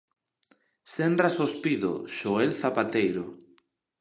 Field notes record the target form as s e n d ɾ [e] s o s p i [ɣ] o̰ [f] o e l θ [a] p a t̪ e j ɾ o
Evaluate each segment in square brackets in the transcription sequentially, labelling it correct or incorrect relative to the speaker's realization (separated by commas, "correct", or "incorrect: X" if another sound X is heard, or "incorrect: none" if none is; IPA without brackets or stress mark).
incorrect: a, incorrect: ð, incorrect: ʃ, correct